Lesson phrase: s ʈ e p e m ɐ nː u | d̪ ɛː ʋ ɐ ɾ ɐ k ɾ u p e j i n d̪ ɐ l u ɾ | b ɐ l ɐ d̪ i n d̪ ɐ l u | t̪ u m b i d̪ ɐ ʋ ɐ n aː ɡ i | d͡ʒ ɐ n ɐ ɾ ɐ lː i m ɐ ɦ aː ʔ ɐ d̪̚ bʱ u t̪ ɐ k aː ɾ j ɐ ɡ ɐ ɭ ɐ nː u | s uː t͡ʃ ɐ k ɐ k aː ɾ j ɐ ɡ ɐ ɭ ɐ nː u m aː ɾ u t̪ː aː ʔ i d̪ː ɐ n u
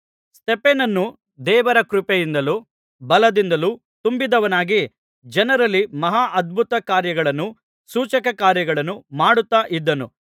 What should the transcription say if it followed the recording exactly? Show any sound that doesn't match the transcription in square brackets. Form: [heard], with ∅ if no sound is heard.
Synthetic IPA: s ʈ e p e [n] ɐ nː u | d̪ ɛː ʋ ɐ ɾ ɐ k ɾ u p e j i n d̪ ɐ l u [∅] | b ɐ l ɐ d̪ i n d̪ ɐ l u | t̪ u m b i d̪ ɐ ʋ ɐ n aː ɡ i | d͡ʒ ɐ n ɐ ɾ ɐ lː i m ɐ ɦ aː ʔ ɐ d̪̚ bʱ u t̪ ɐ k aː ɾ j ɐ ɡ ɐ ɭ ɐ nː u | s uː t͡ʃ ɐ k ɐ k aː ɾ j ɐ ɡ ɐ ɭ ɐ nː u m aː [ɽ] u t̪ː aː ʔ i d̪ː ɐ n u